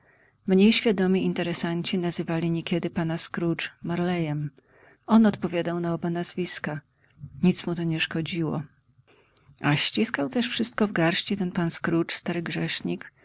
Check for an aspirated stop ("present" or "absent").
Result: absent